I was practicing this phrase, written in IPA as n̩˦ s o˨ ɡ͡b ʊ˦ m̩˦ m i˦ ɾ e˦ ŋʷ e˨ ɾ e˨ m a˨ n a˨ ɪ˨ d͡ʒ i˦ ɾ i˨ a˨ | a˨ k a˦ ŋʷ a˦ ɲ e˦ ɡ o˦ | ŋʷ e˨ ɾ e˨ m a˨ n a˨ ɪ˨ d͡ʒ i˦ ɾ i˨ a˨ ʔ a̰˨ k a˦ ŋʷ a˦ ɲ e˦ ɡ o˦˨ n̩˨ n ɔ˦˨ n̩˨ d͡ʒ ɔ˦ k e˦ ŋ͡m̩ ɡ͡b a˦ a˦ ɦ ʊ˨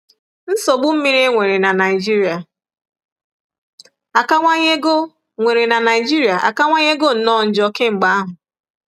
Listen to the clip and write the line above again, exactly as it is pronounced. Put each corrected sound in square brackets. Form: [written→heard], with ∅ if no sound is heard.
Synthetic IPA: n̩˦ s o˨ ɡ͡b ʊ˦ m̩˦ m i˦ ɾ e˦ ŋʷ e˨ ɾ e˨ [m→n] a˨ n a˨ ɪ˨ d͡ʒ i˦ ɾ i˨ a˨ | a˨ k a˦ ŋʷ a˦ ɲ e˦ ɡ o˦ | ŋʷ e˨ ɾ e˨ [m→n] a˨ n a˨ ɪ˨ d͡ʒ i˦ ɾ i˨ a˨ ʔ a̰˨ k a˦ ŋʷ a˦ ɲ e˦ ɡ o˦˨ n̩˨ n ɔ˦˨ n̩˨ d͡ʒ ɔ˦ k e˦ ŋ͡m̩ ɡ͡b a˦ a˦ ɦ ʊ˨